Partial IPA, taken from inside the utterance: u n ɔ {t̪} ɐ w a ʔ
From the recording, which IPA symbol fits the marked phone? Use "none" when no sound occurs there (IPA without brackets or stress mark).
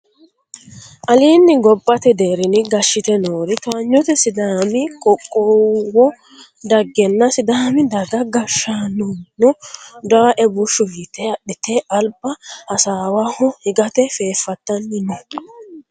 d̪